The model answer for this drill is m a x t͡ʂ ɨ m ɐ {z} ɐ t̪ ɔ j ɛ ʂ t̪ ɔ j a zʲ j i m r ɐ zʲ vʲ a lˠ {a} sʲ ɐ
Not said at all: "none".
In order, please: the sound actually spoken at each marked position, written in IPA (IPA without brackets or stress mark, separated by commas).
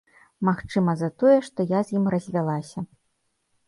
z, a